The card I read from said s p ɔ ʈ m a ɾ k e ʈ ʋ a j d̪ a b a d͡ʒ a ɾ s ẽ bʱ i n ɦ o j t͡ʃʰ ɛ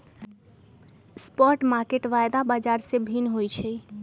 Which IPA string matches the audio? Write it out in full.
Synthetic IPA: s p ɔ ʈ m a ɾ k e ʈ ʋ a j d̪ a b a d͡ʒ a ɾ s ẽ bʱ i n ɦ o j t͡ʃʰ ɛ